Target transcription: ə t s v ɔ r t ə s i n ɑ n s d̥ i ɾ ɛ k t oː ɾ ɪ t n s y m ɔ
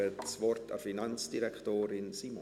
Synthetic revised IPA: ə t s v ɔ r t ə f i n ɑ n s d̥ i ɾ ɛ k t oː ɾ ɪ n s i m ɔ